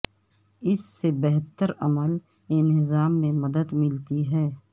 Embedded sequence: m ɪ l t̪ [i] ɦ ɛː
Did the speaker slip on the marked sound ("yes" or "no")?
no